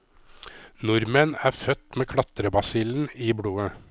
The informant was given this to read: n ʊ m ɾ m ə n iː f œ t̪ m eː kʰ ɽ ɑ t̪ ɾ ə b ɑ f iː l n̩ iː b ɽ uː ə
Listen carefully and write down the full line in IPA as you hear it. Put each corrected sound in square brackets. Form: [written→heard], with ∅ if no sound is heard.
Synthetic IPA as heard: n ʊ [m→∅] ɾ m ə n [iː→æː] f œ t̪ m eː kʰ ɽ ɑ t̪ ɾ ə b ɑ [f→s] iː l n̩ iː b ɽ uː ə